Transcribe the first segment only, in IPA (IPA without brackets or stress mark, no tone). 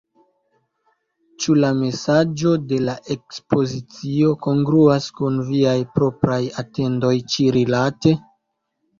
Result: t͡ʃ